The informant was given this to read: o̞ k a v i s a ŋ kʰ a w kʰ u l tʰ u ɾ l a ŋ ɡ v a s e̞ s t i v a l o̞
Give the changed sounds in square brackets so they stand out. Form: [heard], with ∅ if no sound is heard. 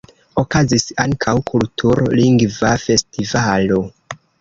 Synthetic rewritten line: o̞ k a [z] i s a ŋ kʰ a w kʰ u l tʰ u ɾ l [i] ŋ ɡ v a [f] e̞ s t i v a l o̞